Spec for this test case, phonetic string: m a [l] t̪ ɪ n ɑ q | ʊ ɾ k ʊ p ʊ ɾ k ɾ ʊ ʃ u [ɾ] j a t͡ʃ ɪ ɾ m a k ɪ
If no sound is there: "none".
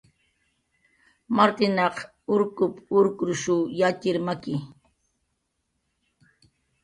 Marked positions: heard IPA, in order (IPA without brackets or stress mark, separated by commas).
ɾ, none